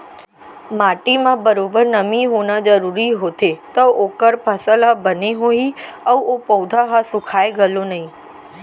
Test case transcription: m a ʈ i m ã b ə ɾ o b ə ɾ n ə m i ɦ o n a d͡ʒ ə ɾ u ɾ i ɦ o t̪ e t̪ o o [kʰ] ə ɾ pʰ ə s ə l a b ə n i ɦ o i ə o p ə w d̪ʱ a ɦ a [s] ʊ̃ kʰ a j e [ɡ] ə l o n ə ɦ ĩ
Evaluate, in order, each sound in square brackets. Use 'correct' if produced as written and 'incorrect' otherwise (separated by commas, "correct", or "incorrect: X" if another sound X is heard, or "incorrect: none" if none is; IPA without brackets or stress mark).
incorrect: k, correct, correct